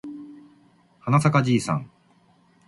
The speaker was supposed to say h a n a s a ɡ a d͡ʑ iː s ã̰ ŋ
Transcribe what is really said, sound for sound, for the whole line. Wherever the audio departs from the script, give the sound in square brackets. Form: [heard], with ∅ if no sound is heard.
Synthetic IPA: h a n a s a [k] a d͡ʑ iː s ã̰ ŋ